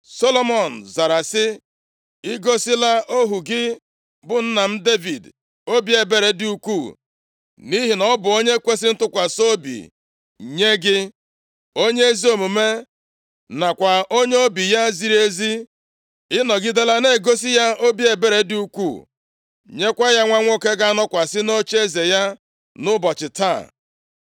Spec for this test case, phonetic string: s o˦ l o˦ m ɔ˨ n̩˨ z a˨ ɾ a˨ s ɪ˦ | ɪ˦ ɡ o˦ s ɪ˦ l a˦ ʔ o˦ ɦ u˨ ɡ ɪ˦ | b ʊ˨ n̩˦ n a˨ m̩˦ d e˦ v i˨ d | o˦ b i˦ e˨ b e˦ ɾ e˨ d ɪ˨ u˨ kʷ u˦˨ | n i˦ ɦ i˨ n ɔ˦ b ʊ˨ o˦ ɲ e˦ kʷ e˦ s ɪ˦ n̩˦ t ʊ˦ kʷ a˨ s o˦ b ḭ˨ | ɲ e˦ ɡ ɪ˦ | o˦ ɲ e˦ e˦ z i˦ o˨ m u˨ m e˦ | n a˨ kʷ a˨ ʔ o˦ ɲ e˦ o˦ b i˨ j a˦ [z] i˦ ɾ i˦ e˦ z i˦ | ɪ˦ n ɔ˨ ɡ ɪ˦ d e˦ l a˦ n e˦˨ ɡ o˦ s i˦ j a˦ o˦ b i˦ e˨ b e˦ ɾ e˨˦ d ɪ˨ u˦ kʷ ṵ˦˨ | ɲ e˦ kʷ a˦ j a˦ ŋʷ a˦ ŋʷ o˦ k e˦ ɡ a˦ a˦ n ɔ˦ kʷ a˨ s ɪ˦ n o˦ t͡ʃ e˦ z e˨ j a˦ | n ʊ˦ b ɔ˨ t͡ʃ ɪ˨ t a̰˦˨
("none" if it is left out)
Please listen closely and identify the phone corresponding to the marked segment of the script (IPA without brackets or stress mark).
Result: z